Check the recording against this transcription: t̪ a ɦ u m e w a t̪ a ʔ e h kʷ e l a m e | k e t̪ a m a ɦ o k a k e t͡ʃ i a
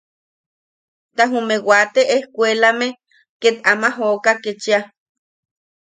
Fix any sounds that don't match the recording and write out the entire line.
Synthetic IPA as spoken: t̪ a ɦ u m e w a t̪ e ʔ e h kʷ e l a m e | k e t̪ a m a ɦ o k a k e t͡ʃ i a